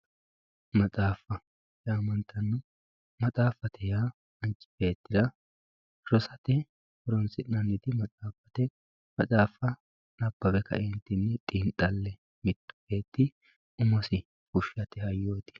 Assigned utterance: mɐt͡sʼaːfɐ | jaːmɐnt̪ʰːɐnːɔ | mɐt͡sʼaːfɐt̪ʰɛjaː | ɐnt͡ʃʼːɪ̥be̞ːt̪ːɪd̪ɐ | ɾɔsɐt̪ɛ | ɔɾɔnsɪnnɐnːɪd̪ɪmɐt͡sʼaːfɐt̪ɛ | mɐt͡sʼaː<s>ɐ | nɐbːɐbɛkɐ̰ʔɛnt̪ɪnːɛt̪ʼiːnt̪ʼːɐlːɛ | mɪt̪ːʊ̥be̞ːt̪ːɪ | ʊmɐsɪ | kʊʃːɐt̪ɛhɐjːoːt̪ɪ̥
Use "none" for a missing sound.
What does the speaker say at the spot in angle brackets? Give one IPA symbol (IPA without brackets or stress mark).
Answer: f